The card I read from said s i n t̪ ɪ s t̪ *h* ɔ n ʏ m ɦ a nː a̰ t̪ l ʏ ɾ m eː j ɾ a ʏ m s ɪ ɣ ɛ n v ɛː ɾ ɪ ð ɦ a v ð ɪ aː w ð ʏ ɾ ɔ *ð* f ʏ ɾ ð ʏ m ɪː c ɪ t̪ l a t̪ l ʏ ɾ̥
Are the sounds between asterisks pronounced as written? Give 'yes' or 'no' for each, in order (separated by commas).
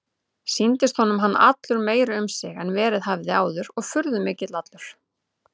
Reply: yes, no